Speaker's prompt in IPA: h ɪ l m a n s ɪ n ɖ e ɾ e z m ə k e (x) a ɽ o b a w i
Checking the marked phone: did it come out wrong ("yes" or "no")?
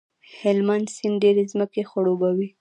no